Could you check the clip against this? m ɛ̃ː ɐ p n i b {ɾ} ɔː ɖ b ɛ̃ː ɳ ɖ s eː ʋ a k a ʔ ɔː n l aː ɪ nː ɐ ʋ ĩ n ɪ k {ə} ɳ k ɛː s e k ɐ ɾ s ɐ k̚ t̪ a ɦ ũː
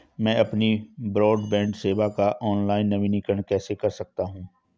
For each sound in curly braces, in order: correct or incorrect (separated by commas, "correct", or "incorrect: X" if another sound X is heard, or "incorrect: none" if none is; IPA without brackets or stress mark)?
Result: correct, correct